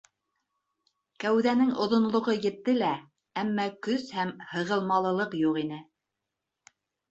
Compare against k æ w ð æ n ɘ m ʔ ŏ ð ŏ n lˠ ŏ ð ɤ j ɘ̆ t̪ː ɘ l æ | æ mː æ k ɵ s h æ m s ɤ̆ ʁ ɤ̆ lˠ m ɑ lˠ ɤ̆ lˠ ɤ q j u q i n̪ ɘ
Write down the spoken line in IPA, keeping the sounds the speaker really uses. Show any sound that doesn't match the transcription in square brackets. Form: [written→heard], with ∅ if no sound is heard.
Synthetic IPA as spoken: k æ w ð æ n ɘ [m→ŋ] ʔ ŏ ð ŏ n lˠ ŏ [ð→ʁ] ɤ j ɘ̆ t̪ː ɘ l æ | æ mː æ k ɵ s h æ m [s→h] ɤ̆ ʁ ɤ̆ lˠ m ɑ lˠ ɤ̆ lˠ ɤ q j u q i n̪ ɘ

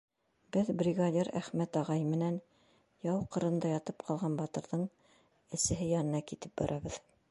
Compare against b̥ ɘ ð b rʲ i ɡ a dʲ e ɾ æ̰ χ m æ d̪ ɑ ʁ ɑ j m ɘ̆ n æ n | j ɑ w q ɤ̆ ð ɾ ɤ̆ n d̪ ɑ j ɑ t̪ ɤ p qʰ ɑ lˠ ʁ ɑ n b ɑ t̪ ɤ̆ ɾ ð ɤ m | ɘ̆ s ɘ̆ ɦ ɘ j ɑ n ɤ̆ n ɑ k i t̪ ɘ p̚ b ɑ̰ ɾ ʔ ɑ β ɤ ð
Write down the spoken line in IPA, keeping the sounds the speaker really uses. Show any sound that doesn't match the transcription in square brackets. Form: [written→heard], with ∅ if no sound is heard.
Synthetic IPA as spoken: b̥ ɘ ð b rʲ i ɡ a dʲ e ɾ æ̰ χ m æ [d̪→t̪] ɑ ʁ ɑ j m ɘ̆ n æ n | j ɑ w q ɤ̆ [ð→∅] ɾ ɤ̆ n d̪ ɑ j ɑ t̪ ɤ p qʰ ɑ lˠ ʁ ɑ n b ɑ t̪ ɤ̆ ɾ ð ɤ [m→ɴ] | ɘ̆ s ɘ̆ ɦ ɘ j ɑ n ɤ̆ n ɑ k i t̪ ɘ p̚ b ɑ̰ ɾ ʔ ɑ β ɤ ð

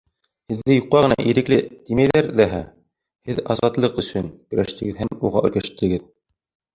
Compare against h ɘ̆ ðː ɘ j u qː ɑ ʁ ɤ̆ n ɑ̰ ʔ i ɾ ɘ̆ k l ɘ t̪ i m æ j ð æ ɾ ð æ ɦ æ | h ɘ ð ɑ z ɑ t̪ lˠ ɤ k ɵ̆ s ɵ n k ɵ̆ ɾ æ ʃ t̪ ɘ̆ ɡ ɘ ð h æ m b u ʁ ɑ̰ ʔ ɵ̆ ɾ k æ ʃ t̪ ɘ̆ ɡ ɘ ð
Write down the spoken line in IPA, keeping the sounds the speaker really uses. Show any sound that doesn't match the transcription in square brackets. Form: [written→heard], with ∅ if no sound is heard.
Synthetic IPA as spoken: h ɘ̆ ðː ɘ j u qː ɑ ʁ ɤ̆ n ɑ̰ ʔ i ɾ ɘ̆ k l ɘ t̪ i m æ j ð æ ɾ ð æ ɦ æ | h ɘ ð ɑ z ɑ t̪ lˠ ɤ [k→q] ɵ̆ s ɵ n k ɵ̆ ɾ æ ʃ t̪ ɘ̆ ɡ ɘ ð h æ m [b→m] u ʁ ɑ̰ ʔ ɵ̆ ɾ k æ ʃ t̪ ɘ̆ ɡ ɘ ð

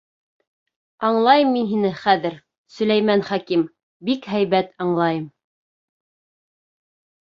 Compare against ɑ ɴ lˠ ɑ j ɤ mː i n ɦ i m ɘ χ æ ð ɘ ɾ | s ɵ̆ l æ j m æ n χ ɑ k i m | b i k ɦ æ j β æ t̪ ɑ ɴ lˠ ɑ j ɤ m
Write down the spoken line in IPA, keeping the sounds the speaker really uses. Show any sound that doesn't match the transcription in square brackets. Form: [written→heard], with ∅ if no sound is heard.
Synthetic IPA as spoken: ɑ ɴ lˠ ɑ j ɤ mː i n ɦ i [m→n] ɘ χ æ ð ɘ ɾ | s ɵ̆ l æ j m æ n χ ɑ k i m | b i k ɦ æ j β æ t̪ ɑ ɴ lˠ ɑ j ɤ m

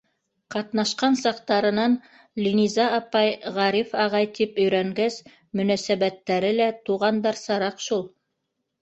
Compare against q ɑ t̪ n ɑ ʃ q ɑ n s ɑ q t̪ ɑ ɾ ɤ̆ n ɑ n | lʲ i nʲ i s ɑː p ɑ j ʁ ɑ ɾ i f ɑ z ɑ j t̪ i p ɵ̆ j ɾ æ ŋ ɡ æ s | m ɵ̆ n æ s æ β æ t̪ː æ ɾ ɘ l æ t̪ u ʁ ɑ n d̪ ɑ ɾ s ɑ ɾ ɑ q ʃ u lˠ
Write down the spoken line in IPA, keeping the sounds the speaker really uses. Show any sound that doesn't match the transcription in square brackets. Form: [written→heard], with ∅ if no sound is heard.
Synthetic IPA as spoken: q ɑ t̪ n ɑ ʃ q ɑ n s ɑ q t̪ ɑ ɾ ɤ̆ n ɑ n | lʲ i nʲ i [s→z] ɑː p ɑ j ʁ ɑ ɾ i f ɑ [z→ʁ] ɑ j t̪ i p ɵ̆ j ɾ æ ŋ ɡ æ s | m ɵ̆ n æ s æ β æ t̪ː æ ɾ ɘ l æ t̪ u ʁ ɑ n d̪ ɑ ɾ s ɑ ɾ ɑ q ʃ u lˠ

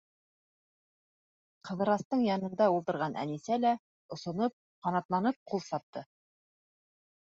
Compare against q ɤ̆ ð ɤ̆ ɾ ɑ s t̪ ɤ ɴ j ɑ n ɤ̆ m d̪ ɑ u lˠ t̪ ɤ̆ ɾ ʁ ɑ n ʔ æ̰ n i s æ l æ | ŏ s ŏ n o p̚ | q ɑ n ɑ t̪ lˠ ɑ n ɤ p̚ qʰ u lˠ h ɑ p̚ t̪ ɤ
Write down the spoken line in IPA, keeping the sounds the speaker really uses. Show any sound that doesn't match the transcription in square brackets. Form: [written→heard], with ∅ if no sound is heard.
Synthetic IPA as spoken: q ɤ̆ ð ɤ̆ ɾ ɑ s t̪ ɤ ɴ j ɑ n ɤ̆ [m→n] d̪ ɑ u lˠ t̪ ɤ̆ ɾ ʁ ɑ n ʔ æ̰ n i s æ l æ | ŏ s ŏ n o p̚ | q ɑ n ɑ t̪ lˠ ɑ n ɤ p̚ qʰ u lˠ [h→s] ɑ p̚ t̪ ɤ

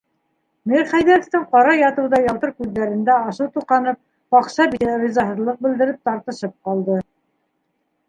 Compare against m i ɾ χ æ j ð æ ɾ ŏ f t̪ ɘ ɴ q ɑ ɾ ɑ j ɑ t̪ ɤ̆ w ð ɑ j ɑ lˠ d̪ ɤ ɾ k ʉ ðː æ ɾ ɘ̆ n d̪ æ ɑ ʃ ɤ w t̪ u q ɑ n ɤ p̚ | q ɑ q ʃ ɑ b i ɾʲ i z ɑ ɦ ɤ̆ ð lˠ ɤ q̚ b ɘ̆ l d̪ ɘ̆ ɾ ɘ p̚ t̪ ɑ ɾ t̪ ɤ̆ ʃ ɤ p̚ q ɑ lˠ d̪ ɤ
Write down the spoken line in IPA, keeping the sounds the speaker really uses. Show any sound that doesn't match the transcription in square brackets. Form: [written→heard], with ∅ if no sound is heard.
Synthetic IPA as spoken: m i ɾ χ æ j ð æ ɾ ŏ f t̪ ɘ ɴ q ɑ ɾ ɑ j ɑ t̪ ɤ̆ w ð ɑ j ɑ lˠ [d̪→t̪] ɤ ɾ k ʉ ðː æ ɾ ɘ̆ n d̪ æ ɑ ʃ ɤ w t̪ u q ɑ n ɤ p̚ | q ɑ q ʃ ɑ b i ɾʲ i z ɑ ɦ ɤ̆ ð lˠ ɤ q̚ b ɘ̆ l d̪ ɘ̆ ɾ ɘ p̚ t̪ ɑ ɾ t̪ ɤ̆ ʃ ɤ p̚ q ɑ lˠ d̪ ɤ

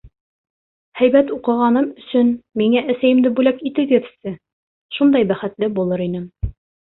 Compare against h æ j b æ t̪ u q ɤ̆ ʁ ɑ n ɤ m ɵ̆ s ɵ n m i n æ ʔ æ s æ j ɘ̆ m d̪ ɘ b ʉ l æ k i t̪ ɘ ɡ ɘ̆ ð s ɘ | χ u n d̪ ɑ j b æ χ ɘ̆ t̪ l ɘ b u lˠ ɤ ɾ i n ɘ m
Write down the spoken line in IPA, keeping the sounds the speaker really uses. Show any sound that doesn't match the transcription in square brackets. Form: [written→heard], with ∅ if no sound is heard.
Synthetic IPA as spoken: h æ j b æ t̪ u q ɤ̆ ʁ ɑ n ɤ m ɵ̆ s ɵ n m i [n→ŋ] æ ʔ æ s æ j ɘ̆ m d̪ ɘ b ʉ l æ k i t̪ ɘ ɡ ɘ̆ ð s ɘ | [χ→ʃ] u n d̪ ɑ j b æ χ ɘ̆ t̪ l ɘ b u lˠ ɤ ɾ i n ɘ m

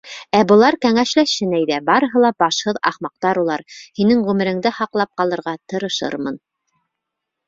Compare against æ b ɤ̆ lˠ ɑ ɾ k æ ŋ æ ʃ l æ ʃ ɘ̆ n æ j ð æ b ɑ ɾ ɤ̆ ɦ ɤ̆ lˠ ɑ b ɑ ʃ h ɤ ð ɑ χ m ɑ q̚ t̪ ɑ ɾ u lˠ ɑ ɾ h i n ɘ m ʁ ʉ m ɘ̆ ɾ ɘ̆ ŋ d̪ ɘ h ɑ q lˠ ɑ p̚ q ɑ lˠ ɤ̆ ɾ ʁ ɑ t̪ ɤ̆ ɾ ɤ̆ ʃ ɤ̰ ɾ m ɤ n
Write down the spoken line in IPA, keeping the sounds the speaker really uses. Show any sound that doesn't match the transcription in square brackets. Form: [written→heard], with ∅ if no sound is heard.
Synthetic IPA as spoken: æ b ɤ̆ lˠ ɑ ɾ k æ ŋ æ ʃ l æ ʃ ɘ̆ n æ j ð æ b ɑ ɾ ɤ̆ ɦ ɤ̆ lˠ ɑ b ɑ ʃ h ɤ ð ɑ χ m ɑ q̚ t̪ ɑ ɾ u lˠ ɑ ɾ h i n ɘ [m→ŋ] ʁ ʉ m ɘ̆ ɾ ɘ̆ ŋ d̪ ɘ h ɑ q lˠ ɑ p̚ q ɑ lˠ ɤ̆ ɾ ʁ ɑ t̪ ɤ̆ ɾ ɤ̆ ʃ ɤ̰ ɾ m ɤ n

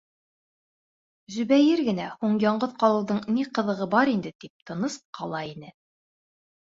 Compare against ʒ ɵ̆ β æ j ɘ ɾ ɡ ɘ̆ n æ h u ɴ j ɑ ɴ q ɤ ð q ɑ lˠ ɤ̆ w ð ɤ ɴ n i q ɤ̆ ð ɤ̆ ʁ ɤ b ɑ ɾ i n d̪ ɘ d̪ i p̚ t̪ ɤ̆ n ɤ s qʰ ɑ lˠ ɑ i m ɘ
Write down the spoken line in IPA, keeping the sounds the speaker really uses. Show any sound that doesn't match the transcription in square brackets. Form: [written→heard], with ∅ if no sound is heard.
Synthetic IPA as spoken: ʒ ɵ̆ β æ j ɘ ɾ ɡ ɘ̆ n æ h u ɴ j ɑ ɴ [q→ɢ] ɤ ð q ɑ lˠ ɤ̆ w ð ɤ ɴ n i q ɤ̆ ð ɤ̆ ʁ ɤ b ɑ ɾ i n d̪ ɘ [d̪→t̪] i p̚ t̪ ɤ̆ n ɤ s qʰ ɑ lˠ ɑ i [m→n] ɘ

